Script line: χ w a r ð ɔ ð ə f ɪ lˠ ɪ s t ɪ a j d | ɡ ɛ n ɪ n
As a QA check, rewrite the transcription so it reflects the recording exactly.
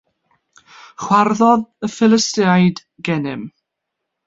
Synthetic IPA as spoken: χ w a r ð ɔ ð ə f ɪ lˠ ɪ s t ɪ a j d | ɡ ɛ n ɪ m